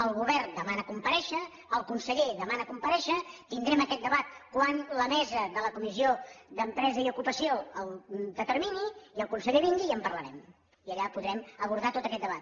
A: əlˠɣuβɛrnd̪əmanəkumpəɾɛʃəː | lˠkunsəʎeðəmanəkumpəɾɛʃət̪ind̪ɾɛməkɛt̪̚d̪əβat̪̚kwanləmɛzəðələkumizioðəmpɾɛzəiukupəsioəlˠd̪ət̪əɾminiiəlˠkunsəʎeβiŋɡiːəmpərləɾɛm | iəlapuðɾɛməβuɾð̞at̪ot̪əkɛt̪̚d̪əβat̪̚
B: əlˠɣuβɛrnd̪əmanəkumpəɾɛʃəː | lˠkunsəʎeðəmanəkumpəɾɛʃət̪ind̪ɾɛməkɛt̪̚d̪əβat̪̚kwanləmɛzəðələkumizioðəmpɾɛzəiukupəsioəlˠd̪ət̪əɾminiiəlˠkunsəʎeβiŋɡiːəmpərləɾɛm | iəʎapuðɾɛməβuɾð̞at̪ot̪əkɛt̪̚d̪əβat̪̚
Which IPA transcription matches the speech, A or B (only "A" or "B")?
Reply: B